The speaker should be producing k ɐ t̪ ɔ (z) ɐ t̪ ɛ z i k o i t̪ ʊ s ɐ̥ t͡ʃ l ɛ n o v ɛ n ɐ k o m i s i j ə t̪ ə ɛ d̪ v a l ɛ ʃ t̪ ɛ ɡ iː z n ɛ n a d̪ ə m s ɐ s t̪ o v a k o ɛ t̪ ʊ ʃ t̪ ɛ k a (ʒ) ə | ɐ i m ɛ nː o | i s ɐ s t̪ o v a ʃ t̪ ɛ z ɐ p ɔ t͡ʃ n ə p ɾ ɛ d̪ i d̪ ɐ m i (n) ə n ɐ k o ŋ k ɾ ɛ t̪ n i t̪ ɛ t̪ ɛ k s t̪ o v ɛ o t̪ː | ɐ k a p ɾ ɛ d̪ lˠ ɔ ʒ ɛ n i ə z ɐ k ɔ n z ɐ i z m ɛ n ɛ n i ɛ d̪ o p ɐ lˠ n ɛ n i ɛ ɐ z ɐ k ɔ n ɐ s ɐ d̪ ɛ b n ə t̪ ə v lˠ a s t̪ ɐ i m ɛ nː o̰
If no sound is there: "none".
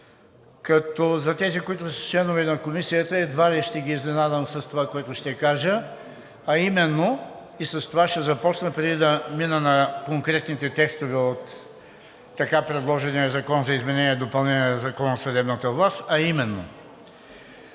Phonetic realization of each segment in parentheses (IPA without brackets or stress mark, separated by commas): z, ʒ, n